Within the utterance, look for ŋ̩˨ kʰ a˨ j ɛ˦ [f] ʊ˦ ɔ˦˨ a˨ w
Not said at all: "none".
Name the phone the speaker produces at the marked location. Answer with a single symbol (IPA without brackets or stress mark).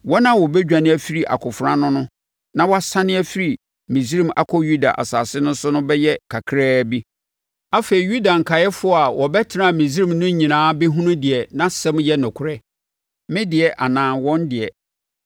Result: f